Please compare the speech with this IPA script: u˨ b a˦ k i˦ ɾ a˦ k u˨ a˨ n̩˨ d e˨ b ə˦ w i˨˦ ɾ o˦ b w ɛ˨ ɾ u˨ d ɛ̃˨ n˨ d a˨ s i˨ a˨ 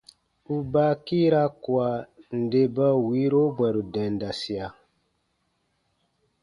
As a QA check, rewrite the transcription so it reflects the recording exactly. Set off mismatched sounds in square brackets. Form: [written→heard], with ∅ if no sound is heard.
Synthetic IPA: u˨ b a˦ k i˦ ɾ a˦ k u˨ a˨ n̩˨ d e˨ b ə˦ w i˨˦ ɾ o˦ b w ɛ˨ ɾ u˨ d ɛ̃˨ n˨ d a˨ s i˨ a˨

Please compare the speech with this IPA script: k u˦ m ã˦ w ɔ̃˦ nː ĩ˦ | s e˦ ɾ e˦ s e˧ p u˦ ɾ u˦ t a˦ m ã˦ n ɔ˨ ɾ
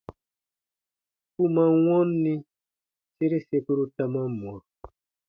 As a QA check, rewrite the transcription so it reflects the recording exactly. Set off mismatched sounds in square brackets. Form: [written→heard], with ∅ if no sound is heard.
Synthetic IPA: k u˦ m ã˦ w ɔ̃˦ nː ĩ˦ | s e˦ ɾ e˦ s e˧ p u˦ ɾ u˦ t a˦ m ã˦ [n→m] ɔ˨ ɾ

